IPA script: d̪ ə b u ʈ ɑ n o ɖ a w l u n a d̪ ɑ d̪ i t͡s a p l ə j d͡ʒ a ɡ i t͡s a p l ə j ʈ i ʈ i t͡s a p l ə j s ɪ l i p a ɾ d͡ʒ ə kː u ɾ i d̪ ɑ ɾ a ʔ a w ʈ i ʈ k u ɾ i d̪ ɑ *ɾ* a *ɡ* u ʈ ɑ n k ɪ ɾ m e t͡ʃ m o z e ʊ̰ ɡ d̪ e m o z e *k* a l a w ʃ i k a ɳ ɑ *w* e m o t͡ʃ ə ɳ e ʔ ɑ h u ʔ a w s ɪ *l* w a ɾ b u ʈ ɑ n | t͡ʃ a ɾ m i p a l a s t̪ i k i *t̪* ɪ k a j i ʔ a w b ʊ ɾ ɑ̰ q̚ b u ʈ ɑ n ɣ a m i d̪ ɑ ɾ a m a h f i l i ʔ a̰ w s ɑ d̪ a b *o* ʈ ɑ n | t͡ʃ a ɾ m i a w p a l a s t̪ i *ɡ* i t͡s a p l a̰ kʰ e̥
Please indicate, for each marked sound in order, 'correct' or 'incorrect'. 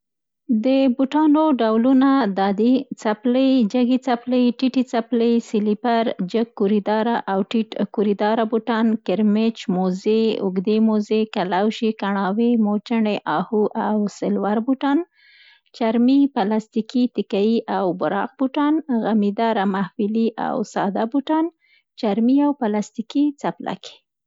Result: correct, incorrect: b, correct, correct, correct, correct, incorrect: u, incorrect: k

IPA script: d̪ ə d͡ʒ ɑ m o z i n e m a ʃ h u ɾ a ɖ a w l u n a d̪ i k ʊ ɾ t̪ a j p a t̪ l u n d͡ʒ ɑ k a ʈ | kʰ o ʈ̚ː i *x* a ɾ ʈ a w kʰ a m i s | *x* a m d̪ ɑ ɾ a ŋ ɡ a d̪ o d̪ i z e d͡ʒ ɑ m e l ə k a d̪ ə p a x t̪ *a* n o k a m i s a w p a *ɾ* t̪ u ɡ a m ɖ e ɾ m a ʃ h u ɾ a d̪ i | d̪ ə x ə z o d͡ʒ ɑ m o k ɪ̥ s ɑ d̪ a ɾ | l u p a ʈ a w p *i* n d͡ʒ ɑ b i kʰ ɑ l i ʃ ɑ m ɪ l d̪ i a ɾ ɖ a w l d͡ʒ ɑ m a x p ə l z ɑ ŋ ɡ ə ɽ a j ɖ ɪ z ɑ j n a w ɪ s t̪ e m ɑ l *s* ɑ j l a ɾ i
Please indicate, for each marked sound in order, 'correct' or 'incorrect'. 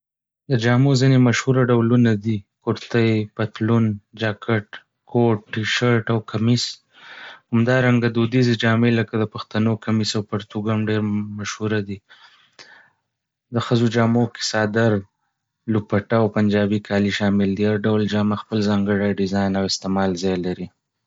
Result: incorrect: ʃ, incorrect: h, correct, correct, incorrect: a, incorrect: z

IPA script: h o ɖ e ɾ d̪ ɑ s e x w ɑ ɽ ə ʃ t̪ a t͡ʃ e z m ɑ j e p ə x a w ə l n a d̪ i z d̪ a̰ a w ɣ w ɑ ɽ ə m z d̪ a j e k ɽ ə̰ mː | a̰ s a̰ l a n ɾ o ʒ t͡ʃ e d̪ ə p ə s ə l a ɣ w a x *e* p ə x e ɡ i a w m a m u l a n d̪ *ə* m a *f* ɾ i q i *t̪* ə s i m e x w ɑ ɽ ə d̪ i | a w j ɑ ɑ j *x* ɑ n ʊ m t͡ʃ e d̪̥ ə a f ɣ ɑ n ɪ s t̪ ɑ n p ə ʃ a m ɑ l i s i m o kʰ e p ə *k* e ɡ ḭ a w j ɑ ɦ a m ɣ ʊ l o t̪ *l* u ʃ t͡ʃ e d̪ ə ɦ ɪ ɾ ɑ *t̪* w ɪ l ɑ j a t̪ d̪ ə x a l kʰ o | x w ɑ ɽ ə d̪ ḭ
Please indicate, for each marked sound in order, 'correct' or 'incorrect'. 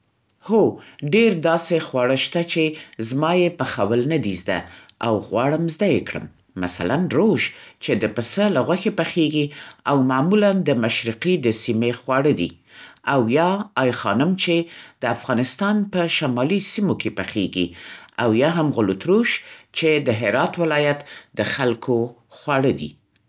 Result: correct, correct, incorrect: ʃ, incorrect: d̪, correct, incorrect: x, incorrect: ɾ, correct

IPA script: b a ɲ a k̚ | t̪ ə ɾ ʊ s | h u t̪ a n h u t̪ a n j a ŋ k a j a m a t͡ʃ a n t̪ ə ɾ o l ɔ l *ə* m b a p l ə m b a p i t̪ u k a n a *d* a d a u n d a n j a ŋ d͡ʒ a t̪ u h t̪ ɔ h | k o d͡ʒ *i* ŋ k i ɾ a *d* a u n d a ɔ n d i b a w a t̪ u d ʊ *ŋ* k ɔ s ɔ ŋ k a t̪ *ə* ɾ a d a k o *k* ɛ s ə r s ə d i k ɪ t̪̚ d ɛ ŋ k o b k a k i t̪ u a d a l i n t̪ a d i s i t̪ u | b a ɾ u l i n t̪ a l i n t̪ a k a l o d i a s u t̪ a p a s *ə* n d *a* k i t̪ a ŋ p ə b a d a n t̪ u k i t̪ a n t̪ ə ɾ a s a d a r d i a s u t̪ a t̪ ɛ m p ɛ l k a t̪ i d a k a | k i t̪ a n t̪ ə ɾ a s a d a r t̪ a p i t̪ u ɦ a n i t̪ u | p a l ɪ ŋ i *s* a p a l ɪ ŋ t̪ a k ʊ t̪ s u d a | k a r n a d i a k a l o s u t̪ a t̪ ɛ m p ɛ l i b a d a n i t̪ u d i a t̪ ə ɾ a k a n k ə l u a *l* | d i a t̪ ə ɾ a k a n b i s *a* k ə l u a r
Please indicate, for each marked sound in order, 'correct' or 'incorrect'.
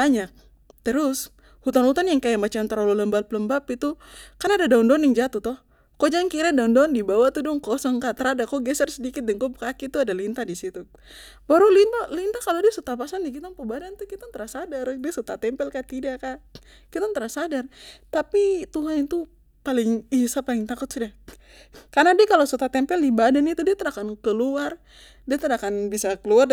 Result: correct, correct, incorrect: a, correct, correct, correct, incorrect: ɡ, incorrect: a, incorrect: i, correct, incorrect: r, correct

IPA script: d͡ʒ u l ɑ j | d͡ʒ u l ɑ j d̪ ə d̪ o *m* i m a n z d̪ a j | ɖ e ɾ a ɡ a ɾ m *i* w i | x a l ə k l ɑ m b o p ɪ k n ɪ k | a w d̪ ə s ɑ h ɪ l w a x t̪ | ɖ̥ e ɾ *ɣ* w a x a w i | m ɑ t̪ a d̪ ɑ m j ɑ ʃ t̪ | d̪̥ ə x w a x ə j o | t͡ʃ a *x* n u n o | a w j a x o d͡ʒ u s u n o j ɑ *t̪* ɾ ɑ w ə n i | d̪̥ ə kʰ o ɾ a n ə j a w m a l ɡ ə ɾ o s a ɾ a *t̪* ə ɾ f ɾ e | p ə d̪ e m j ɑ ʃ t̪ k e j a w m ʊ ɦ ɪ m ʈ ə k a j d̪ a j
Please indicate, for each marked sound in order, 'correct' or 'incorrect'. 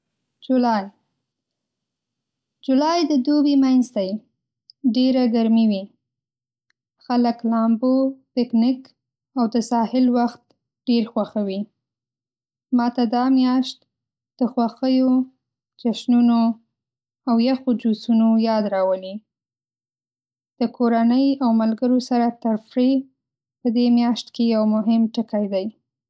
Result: incorrect: b, correct, incorrect: x, incorrect: ʃ, incorrect: d̪, correct

